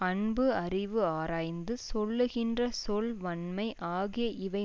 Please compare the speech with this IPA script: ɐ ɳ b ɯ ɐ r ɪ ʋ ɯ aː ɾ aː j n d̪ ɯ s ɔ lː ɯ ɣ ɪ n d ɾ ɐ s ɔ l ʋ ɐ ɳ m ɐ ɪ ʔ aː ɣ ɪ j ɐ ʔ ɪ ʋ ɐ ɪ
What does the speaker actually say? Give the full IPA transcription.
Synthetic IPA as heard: ɐ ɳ b ɯ ɐ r ɪ ʋ ɯ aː ɾ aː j n d̪ ɯ s ɔ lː ɯ ɣ ɪ n d r ɐ s ɔ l ʋ ɐ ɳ m ɐ ɪ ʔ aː ɣ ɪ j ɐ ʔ ɪ ʋ ɐ ɪ